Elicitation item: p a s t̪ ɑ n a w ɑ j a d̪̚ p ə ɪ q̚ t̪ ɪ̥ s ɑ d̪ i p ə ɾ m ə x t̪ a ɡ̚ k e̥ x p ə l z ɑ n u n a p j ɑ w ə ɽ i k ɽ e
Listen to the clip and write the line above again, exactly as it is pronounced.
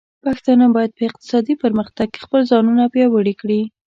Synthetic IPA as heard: p a x t̪ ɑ n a b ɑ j a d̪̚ p ə ɪ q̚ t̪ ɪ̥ s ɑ d̪ i p ə ɾ m ə x t̪ a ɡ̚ k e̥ x p ə l z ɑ n u n a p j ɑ w ə ɽ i k ɽ i